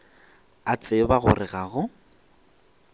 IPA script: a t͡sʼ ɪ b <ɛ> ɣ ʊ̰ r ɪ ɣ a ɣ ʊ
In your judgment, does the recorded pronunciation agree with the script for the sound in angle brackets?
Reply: no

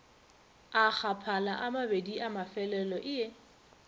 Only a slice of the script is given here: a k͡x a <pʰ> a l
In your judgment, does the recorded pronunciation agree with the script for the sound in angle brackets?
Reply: yes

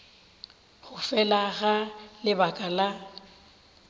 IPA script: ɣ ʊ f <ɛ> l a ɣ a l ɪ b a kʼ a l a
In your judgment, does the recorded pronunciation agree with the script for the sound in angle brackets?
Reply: yes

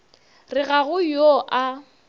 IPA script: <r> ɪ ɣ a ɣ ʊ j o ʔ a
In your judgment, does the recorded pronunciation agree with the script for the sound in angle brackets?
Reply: yes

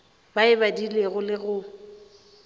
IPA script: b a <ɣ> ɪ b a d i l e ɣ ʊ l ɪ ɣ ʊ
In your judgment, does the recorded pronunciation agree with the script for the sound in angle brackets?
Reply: no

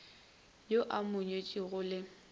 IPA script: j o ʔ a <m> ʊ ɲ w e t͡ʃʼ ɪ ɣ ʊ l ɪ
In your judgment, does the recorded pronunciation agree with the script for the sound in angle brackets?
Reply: yes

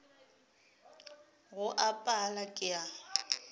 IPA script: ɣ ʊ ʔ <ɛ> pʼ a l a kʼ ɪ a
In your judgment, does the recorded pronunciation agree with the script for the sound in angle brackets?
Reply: no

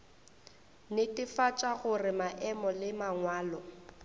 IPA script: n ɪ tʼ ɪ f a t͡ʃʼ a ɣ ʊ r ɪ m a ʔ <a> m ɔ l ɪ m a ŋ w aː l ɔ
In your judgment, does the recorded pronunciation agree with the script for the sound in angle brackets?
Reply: no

